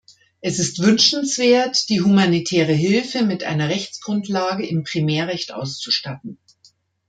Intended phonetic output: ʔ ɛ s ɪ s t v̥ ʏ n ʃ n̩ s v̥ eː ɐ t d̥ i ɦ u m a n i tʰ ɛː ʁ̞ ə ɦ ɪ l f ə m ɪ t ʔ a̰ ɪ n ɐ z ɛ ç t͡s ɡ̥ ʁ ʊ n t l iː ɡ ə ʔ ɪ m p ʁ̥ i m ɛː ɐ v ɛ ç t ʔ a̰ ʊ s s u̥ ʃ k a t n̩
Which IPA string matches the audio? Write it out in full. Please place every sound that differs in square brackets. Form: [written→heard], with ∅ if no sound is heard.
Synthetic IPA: ʔ ɛ s ɪ s t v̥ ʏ n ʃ n̩ s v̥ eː ɐ t d̥ [i→iː] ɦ u m a n i tʰ ɛː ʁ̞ ə ɦ ɪ l f ə m ɪ t ʔ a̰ ɪ n ɐ [z→ʁ] ɛ ç t͡s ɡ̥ ʁ ʊ n t l [iː→aː] ɡ ə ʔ ɪ m p ʁ̥ i m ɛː ɐ [v→ʁ] ɛ ç t ʔ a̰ ʊ s [s→t͡s] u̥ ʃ [k→t] a t n̩